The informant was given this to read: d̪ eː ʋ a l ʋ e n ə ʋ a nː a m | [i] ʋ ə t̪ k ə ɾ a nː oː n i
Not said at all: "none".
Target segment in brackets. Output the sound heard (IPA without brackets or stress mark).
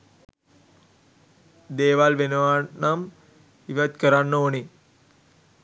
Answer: i